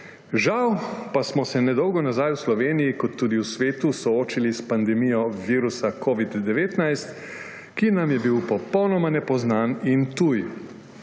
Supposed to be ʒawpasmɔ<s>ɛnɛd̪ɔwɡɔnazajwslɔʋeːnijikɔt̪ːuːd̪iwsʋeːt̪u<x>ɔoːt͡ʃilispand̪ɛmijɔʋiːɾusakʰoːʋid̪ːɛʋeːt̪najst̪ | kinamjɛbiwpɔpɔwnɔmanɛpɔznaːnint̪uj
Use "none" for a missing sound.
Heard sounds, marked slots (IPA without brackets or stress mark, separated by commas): s, s